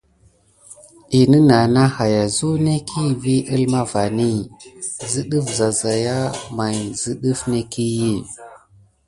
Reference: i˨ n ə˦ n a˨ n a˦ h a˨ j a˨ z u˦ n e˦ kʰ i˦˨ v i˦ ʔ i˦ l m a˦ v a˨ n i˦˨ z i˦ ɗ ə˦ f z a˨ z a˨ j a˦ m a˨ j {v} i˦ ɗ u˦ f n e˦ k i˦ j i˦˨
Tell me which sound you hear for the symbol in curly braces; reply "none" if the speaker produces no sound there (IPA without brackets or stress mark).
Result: z